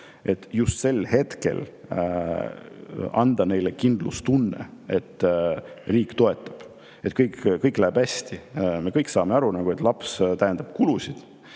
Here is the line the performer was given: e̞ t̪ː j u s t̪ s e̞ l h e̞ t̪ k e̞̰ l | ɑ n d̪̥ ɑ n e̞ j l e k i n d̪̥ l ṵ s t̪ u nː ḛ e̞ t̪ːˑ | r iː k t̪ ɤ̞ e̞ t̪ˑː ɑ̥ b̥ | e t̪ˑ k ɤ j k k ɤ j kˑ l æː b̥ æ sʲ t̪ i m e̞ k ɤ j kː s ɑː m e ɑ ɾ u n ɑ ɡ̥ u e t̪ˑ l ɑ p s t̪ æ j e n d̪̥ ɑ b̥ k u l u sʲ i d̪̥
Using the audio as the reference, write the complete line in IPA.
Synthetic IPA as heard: e̞ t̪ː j u s t̪ s e̞ l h e̞ t̪ k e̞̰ l | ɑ n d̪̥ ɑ n e̞ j l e k i n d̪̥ l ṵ s t̪ u nː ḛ e̞ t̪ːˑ | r iː k t̪ o̞ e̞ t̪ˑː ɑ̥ b̥ | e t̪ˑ k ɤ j k k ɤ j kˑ l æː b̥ æ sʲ t̪ i m e̞ k ɤ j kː s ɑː m e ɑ ɾ u n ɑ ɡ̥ u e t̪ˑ l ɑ p s t̪ æ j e n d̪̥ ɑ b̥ k u l u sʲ i d̪̥

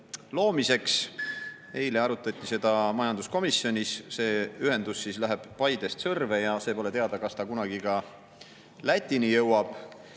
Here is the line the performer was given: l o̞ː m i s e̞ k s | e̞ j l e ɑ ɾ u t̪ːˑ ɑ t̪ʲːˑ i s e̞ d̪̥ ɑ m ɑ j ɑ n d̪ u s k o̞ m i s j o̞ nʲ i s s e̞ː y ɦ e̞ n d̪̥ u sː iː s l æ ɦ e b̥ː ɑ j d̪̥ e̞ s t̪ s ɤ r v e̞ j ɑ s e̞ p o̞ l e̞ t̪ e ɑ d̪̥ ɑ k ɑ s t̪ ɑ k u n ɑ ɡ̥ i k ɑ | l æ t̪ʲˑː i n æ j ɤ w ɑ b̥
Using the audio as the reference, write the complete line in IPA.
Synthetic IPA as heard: l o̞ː m i s e̞ k s | e̞ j l e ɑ ɾ u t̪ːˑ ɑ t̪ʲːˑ i s e̞ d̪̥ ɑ m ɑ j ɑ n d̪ u s k o̞ m i s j o̞ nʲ i s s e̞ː y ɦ e̞ n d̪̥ u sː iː s l æ ɦ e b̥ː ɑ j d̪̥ e̞ s t̪ s ɤ r v e̞ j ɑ s e̞ p o̞ l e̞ t̪ e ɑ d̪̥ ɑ k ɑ s t̪ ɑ k u n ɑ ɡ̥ i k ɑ | l æ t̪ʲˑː i n i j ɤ w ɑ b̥

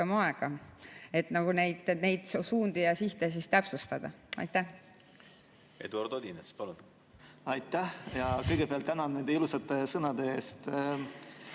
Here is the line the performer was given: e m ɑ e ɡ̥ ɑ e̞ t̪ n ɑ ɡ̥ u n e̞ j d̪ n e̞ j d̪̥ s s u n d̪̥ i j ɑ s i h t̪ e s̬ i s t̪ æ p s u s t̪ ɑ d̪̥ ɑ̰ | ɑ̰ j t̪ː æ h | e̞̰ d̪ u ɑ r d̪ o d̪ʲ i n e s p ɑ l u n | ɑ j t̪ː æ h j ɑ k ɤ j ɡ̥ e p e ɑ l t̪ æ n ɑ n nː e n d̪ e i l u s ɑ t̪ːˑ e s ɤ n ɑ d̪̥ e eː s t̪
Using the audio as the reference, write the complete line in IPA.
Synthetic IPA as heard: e m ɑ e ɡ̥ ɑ e̞ t̪ n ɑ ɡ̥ u n e̞ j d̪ n e̞ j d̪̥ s s uː n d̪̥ i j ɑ s i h t̪ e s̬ i s t̪ æ p s u s t̪ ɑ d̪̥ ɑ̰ | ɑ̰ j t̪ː æ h | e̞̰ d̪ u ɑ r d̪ o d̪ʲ i n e s p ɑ l u n | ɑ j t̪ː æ h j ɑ k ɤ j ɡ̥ e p e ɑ l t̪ æ n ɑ n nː e n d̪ e i l u s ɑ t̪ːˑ e s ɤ n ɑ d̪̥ e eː s t̪

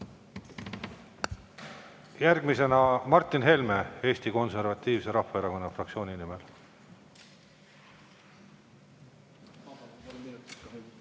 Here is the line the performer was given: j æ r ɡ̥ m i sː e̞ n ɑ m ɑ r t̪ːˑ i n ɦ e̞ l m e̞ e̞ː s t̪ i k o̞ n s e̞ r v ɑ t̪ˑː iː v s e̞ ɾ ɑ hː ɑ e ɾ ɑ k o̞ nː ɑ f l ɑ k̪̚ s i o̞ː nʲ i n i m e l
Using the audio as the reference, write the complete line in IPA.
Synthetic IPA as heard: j æ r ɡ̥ m i s e̞ n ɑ m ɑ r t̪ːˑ i n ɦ e̞ l m e̞ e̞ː s t̪ i k o̞ n s e̞ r v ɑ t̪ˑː iː v s e̞ ɾ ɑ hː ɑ e ɾ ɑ k o̞ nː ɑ f r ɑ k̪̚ s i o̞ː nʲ i n i m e l

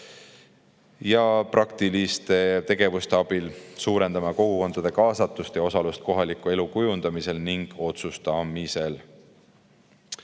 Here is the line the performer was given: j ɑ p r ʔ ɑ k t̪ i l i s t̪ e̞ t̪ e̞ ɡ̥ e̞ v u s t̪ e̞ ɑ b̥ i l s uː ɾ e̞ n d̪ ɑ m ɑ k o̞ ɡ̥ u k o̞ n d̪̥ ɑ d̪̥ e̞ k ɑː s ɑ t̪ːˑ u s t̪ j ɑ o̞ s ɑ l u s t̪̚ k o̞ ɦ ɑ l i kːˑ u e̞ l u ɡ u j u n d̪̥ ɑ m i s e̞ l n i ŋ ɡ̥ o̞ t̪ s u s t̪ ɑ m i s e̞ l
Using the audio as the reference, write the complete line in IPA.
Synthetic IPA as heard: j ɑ p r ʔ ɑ k t̪ i l i s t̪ e̞ t̪ e̞ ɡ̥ e̞ v u s t̪ e̞ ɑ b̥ i l s uː ɾ e̞ n d̪ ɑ m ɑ k o̞ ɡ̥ u k o̞ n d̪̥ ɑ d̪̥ e̞ k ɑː s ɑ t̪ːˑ u s t̪ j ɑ o̞ s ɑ l u s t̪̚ k o̞ ɦ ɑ l i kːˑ u e̞ l u k u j u n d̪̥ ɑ m i s e̞ l n i ŋ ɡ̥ o̞ t̪ s u s t̪ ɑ m i s e̞ l

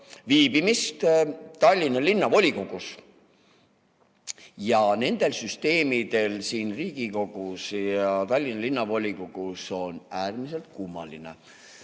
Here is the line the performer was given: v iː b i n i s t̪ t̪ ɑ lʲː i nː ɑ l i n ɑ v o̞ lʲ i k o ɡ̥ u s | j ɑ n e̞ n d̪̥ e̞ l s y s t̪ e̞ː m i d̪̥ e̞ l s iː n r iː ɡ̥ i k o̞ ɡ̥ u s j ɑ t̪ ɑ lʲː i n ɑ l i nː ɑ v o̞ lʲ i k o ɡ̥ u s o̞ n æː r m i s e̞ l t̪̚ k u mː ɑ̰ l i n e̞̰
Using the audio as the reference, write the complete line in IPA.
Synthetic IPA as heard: v iː b i m i s t̪ t̪ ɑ lʲː i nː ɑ l i nː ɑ v o̞ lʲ i k o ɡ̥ u s | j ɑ n e̞ n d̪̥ e̞ l s y s t̪ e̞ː m i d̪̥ e̞ l s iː n r iː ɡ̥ i k o̞ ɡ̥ u s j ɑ t̪ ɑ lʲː i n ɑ l i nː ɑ v o̞ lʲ i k o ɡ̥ u s o̞ n æː r m i s e̞ l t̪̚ k u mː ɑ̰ l i n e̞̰

